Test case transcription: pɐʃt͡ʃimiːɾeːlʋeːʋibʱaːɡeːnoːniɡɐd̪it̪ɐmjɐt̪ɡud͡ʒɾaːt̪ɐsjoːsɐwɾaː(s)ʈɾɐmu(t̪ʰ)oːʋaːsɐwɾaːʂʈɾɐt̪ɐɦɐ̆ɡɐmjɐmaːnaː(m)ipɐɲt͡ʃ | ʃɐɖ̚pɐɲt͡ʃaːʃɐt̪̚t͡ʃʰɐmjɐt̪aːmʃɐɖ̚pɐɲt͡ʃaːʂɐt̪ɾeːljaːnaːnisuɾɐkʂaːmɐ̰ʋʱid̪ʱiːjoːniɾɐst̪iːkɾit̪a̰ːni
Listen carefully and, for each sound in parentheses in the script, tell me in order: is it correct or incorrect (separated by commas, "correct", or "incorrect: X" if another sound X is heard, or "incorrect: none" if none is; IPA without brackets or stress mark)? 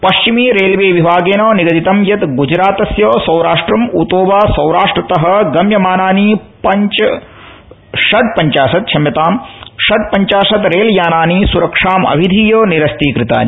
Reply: incorrect: ʂ, incorrect: t̪, incorrect: n